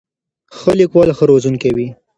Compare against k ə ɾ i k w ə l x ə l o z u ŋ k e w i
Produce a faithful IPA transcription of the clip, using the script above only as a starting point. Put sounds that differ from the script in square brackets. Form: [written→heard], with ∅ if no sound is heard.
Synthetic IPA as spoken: [k→x] ə [ɾ→l] i k w [ə→ɑ] l x ə [l→ɾ] o z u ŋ k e w i